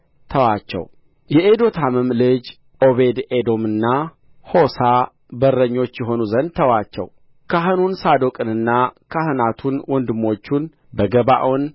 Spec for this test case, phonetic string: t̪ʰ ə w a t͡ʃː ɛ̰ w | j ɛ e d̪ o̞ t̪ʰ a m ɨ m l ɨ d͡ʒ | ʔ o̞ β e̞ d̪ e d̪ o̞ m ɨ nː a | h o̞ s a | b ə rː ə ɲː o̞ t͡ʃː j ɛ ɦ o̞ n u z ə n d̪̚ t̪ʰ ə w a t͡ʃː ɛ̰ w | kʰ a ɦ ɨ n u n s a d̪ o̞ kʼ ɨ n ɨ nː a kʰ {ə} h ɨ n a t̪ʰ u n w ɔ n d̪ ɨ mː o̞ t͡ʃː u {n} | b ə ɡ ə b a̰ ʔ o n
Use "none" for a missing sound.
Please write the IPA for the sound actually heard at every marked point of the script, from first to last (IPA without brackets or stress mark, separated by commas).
a, n